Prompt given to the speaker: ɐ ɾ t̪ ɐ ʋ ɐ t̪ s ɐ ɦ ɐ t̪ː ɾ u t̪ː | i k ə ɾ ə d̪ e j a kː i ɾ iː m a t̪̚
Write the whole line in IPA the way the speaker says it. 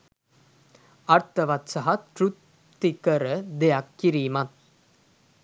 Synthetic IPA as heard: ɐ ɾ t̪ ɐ ʋ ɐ t̪ s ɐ ɦ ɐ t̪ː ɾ u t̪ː | i k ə ɾ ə d̪ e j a kː i ɾ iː m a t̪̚

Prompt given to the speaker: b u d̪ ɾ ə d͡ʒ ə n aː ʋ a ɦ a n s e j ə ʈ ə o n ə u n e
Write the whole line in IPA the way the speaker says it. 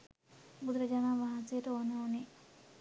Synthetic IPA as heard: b u d̪ ɾ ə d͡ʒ a n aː ʋ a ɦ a n s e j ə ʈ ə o n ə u n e

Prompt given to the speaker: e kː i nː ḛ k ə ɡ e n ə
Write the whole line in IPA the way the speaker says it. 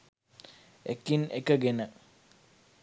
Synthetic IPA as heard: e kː i n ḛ k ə ɡ e n ə

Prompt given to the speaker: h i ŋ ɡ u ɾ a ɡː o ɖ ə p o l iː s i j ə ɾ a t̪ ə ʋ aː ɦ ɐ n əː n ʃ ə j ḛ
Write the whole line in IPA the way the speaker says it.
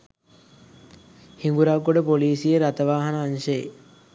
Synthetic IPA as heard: h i ŋ ɡ u ɾ a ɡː o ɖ ə p o l iː s i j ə ɾ a t̪ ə ʋ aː ɦ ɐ n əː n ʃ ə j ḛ

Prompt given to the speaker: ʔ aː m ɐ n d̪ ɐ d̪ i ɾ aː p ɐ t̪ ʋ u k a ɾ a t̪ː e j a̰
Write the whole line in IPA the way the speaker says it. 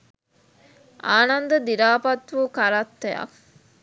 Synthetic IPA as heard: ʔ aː n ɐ n d̪ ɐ d̪ i ɾ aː p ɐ t̪ ʋ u k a ɾ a t̪ː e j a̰

